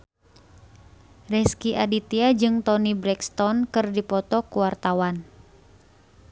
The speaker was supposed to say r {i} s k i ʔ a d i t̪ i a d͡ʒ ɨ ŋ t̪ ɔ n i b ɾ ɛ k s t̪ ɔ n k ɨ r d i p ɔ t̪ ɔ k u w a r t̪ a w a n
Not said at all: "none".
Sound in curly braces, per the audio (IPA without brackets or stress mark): ɛ